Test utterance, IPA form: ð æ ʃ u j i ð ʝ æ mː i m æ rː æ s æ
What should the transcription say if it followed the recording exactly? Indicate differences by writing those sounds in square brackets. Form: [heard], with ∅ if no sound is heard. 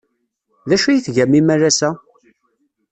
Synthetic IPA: ð æ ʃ u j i [θ] ʝ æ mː i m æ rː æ s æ